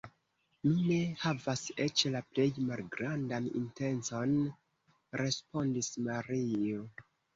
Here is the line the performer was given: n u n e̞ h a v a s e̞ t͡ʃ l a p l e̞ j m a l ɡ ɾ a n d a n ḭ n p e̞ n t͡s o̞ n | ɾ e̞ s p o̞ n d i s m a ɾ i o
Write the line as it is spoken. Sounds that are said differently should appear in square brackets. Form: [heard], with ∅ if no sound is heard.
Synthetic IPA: n u n e̞ h a v a s e̞ t͡ʃ l a p l e̞ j m a l ɡ ɾ a n d a n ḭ n [t] e̞ n t͡s o̞ n | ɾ e̞ s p o̞ n d i s m a ɾ i o